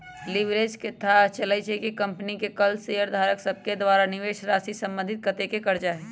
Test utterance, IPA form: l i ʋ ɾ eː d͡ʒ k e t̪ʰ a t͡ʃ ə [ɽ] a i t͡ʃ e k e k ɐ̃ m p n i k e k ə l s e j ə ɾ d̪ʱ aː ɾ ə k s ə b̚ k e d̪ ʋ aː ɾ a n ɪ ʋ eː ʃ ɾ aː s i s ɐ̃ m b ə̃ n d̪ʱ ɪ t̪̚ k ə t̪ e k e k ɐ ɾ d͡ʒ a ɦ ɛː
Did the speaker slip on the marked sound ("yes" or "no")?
yes